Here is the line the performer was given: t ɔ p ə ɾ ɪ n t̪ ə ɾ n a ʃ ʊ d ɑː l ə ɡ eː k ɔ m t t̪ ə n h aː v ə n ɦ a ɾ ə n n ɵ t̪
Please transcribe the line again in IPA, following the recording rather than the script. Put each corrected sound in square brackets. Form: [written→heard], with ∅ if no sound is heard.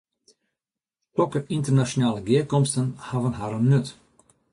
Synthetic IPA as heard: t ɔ [p→k] ə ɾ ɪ n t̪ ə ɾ n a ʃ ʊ [d→n] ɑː l ə ɡ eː k ɔ m [t→s] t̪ ə n h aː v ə n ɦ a ɾ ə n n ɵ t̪